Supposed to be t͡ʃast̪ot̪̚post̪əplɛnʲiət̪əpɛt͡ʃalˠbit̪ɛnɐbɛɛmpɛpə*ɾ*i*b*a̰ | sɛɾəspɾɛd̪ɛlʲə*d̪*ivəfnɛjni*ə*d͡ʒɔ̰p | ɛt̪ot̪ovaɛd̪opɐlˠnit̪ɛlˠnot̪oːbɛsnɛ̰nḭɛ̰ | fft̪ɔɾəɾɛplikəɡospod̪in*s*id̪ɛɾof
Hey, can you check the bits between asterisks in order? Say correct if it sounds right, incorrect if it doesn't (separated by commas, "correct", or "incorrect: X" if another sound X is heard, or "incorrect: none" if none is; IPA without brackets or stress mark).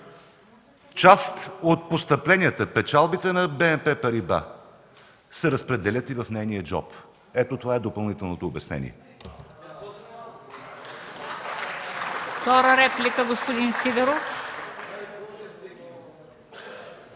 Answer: correct, correct, incorrect: t̪, correct, correct